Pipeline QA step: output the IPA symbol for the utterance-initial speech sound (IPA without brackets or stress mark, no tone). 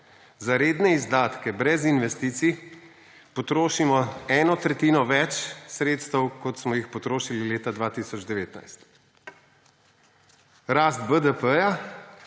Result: z